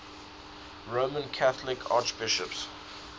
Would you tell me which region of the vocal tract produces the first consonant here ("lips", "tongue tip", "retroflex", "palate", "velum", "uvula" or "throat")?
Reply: tongue tip